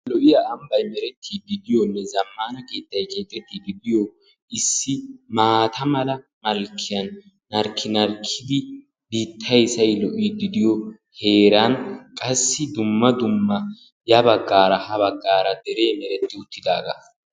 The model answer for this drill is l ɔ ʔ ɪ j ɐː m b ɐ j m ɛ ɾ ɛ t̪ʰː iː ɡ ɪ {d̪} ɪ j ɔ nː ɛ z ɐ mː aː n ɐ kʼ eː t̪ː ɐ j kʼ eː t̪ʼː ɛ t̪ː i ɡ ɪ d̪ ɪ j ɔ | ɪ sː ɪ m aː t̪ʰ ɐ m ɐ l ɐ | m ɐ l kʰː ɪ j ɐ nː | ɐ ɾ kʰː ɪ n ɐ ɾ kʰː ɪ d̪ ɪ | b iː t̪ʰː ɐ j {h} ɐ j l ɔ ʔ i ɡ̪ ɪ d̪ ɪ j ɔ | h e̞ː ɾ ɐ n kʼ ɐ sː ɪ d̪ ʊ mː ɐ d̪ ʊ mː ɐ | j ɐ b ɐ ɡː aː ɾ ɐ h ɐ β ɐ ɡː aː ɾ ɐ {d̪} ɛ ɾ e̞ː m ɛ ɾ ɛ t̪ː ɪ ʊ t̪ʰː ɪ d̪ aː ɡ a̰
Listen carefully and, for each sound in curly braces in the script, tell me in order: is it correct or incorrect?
correct, incorrect, correct

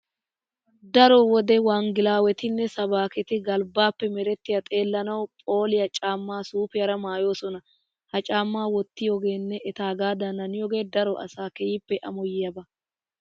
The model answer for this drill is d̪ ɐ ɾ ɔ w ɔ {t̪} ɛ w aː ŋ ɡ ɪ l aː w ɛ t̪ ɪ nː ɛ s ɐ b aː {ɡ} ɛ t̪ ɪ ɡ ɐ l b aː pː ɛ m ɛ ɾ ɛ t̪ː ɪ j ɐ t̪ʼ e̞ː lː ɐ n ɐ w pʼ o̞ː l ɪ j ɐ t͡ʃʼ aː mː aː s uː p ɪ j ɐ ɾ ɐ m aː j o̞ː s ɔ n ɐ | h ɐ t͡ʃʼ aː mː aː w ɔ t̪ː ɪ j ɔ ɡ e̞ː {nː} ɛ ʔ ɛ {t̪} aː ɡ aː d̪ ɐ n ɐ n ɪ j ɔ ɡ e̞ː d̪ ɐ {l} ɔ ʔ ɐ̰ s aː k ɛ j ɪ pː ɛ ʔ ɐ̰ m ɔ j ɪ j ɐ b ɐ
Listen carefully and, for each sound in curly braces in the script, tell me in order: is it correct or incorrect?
incorrect, incorrect, correct, correct, incorrect

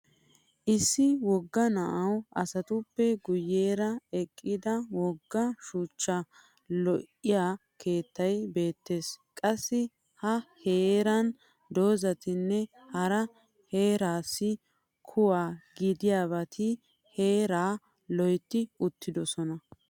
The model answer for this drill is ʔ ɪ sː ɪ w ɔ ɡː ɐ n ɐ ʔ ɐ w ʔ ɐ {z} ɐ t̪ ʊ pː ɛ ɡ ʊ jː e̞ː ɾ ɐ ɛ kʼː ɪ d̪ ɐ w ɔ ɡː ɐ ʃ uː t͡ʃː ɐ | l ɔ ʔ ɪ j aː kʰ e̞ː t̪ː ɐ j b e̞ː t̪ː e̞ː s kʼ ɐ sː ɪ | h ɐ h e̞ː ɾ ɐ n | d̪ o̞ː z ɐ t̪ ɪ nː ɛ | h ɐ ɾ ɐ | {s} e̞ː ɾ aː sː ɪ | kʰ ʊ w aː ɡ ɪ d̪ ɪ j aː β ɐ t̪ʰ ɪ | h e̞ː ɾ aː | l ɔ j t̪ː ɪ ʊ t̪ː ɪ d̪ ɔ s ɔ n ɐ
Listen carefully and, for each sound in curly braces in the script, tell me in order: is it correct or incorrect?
incorrect, incorrect

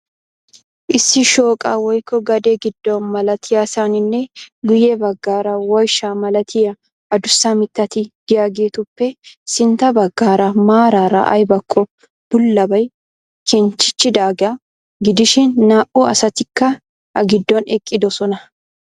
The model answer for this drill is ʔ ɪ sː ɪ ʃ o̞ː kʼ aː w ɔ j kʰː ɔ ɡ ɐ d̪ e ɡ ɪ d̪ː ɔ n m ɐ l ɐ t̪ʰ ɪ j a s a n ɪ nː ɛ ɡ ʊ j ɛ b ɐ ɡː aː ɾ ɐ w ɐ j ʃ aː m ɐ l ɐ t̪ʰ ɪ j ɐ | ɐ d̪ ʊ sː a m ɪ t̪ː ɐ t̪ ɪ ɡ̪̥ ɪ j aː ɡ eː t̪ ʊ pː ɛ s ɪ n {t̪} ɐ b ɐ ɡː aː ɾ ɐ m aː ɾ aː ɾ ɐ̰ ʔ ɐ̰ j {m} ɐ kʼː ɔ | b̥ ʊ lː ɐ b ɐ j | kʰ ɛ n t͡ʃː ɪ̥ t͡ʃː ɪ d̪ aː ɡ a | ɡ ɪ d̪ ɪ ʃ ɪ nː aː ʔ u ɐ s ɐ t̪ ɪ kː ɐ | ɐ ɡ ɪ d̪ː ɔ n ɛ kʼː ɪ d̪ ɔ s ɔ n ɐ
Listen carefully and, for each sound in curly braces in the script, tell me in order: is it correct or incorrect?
correct, incorrect

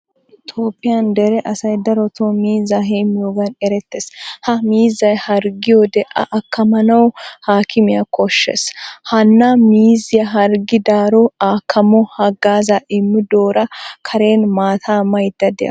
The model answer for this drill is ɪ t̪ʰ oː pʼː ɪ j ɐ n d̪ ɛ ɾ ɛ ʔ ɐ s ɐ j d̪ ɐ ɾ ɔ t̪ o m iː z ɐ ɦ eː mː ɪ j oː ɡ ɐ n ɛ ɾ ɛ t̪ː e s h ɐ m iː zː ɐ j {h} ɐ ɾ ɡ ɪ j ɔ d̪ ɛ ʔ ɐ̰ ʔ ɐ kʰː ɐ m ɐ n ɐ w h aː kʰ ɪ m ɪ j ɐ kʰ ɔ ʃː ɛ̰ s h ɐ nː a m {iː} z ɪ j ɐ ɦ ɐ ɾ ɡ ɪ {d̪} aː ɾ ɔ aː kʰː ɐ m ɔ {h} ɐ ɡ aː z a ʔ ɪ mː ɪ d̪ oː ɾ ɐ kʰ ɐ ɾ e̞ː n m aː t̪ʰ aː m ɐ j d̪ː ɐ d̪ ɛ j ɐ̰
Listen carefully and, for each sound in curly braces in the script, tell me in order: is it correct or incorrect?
correct, correct, correct, correct

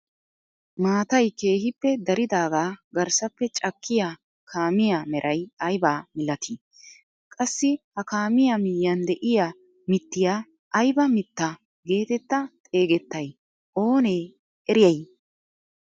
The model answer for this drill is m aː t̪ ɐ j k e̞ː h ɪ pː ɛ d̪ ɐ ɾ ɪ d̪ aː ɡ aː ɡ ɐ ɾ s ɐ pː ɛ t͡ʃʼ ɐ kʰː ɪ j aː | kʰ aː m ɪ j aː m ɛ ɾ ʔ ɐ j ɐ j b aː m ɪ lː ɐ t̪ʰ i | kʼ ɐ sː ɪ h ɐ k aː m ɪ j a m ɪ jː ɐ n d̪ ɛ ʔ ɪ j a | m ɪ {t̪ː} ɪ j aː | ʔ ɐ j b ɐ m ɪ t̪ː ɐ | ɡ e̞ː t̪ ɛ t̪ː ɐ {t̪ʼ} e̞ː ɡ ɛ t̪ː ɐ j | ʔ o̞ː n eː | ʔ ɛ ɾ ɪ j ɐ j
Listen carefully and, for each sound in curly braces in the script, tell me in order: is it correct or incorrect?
correct, correct

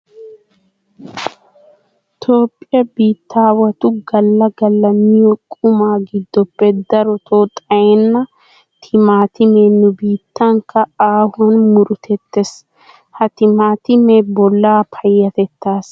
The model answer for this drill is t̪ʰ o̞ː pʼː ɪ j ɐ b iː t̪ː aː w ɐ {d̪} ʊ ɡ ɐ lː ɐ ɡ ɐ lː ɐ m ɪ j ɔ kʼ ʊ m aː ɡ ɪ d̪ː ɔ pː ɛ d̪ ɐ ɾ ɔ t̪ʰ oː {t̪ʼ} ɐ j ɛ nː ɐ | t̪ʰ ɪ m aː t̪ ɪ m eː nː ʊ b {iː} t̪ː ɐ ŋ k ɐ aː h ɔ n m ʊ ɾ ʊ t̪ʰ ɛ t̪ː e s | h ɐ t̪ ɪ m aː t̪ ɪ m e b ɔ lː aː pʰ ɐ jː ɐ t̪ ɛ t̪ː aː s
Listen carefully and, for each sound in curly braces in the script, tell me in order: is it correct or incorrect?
incorrect, correct, correct

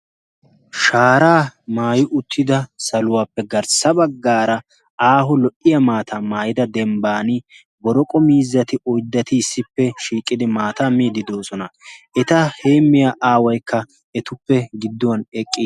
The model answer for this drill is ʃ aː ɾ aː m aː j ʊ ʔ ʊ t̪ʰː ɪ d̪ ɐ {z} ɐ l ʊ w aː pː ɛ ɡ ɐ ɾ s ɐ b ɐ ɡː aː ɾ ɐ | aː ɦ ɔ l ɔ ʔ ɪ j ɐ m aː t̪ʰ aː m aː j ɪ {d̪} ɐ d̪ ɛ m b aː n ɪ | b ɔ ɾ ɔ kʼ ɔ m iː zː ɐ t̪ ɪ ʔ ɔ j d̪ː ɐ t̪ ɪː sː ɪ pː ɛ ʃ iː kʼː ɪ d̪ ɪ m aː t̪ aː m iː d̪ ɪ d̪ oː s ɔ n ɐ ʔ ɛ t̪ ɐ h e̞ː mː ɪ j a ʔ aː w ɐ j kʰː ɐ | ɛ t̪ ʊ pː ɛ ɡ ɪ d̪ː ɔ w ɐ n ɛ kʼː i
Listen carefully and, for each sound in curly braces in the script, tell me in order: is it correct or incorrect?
incorrect, correct

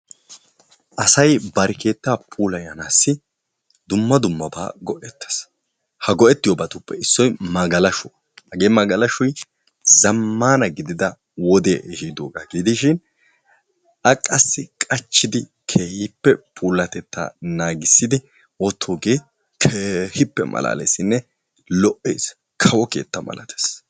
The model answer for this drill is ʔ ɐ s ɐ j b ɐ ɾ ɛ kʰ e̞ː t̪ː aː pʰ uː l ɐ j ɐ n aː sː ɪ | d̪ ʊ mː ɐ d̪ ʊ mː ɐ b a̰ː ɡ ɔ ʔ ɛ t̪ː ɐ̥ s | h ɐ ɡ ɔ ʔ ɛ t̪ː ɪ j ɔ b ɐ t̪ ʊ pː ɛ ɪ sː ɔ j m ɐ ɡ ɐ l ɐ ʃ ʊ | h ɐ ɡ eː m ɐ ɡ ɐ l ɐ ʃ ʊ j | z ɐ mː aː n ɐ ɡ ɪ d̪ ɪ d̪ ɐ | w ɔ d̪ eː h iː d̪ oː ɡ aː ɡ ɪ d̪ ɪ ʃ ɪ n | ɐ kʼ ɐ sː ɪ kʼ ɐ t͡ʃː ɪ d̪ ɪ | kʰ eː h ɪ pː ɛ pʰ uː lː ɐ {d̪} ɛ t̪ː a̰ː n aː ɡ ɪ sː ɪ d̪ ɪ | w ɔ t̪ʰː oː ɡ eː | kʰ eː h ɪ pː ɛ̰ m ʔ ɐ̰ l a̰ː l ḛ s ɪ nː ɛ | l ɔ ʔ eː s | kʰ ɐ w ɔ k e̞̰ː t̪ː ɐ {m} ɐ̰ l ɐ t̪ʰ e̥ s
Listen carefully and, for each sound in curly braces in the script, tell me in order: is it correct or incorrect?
incorrect, correct

